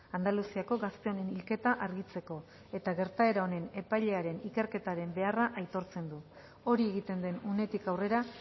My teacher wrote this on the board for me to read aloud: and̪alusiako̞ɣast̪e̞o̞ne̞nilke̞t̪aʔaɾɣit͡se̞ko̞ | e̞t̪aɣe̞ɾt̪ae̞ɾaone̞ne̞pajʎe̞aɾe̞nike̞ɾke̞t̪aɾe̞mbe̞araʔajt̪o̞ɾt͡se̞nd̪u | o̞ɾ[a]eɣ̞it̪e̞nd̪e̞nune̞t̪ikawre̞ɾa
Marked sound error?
yes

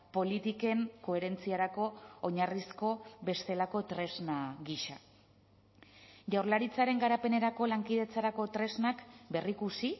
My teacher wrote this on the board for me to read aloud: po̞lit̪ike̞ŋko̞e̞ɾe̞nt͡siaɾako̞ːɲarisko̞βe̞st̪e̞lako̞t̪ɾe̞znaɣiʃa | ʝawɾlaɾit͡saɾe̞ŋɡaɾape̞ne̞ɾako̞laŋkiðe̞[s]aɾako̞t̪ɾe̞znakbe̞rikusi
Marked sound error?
yes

